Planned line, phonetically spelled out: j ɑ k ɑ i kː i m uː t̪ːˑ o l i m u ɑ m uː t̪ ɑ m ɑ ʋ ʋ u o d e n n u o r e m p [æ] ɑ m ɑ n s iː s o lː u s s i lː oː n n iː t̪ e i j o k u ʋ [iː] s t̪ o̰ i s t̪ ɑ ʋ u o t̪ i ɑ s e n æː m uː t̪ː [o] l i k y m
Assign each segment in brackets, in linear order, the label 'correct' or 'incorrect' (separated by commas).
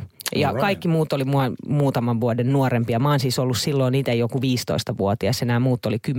incorrect, correct, correct